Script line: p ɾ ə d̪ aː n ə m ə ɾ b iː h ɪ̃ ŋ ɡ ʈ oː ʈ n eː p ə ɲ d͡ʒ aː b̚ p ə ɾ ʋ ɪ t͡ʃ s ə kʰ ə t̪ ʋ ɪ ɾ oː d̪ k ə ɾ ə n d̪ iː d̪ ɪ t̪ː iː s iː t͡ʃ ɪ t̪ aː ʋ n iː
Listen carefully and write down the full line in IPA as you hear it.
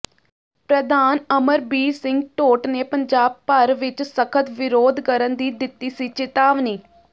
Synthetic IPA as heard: p ɾ ə d̪ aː n ə m ə ɾ b iː s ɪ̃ ŋ ɡ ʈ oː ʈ n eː p ə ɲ d͡ʒ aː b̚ p ə ɾ ʋ ɪ t͡ʃ s ə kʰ ə t̪ ʋ ɪ ɾ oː d̪ k ə ɾ ə n d̪ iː d̪ ɪ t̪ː iː s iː t͡ʃ ɪ t̪ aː ʋ n iː

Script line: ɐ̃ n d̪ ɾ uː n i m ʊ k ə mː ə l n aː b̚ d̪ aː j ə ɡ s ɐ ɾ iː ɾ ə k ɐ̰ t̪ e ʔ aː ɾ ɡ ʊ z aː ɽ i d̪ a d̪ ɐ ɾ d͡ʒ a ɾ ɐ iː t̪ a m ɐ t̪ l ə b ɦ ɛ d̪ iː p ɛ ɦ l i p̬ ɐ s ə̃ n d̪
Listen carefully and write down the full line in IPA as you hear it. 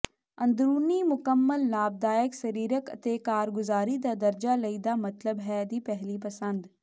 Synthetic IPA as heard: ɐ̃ n d̪ ɾ uː n i m ʊ k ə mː ə l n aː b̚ d̪ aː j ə k s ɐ ɾ iː ɾ ə k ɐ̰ t̪ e k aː ɾ ɡ ʊ z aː ɾ i d̪ a d̪ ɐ ɾ d͡ʒ a l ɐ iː d̪ a m ɐ t̪ l ə b ɦ ɛ d̪ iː p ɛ ɦ l i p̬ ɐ s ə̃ n d̪

